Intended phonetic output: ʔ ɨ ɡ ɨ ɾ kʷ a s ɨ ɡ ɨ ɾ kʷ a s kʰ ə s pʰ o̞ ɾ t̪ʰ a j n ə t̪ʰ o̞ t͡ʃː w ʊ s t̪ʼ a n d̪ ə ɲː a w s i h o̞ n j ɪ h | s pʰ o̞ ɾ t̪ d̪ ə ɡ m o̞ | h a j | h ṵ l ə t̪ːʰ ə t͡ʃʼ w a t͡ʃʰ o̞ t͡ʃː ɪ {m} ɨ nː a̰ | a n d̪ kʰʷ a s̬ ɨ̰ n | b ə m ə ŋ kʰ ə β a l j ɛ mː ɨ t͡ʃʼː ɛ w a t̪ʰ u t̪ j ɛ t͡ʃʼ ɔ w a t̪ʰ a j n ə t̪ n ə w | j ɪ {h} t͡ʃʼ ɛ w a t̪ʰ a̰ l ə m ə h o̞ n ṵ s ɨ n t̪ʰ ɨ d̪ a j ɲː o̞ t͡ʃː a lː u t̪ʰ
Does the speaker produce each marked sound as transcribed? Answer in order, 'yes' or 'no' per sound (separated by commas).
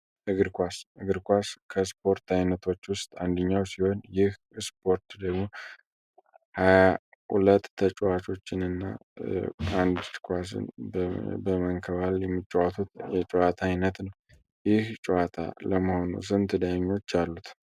no, yes